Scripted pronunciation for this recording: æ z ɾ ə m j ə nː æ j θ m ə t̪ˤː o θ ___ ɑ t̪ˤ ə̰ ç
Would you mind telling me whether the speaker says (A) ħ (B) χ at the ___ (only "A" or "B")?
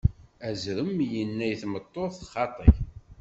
B